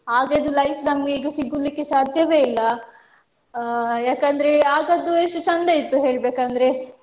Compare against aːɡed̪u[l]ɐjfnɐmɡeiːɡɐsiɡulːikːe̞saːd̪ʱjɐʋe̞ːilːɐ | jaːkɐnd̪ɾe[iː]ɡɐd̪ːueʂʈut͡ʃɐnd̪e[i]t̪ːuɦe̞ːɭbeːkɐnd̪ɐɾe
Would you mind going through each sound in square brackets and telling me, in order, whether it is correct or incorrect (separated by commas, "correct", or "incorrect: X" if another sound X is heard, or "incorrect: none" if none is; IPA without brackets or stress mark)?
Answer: correct, incorrect: aː, correct